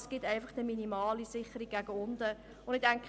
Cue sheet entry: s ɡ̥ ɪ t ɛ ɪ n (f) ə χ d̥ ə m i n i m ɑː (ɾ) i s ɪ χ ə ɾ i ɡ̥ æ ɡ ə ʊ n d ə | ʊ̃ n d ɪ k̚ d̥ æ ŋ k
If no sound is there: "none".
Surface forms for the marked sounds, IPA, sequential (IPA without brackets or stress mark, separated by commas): f, l